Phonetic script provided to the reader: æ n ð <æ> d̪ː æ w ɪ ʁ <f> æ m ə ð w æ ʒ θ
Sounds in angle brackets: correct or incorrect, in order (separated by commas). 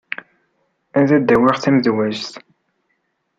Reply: correct, incorrect